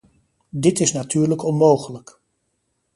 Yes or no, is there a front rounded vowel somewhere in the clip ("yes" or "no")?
yes